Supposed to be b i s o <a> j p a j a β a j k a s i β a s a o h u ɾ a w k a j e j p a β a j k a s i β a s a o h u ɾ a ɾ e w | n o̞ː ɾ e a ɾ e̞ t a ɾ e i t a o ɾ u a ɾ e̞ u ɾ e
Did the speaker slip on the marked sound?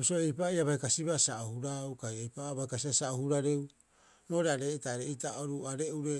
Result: yes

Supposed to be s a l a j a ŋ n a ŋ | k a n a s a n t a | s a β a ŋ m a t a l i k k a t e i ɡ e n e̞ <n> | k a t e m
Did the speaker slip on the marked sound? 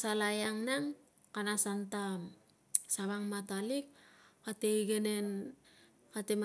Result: no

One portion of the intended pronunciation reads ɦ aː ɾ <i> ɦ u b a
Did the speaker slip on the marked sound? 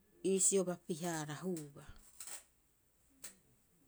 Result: yes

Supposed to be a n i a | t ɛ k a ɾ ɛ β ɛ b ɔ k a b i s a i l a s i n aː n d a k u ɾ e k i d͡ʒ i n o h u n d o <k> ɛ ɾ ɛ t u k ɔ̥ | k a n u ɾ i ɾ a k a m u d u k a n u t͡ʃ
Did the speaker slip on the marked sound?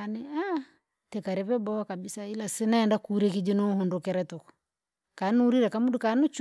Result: no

